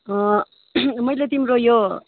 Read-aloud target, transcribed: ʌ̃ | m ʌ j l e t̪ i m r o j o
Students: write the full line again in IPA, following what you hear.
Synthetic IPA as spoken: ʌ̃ | m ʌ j l e t̪ i m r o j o